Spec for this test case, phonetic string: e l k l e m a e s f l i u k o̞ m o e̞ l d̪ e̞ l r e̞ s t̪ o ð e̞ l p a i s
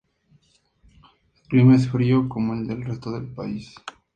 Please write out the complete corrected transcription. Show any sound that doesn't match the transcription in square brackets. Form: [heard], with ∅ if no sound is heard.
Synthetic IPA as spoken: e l k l [i] m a e s f [ɾ] i [o] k o̞ m o e̞ l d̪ e̞ l r e̞ s t̪ o ð e̞ l p a i s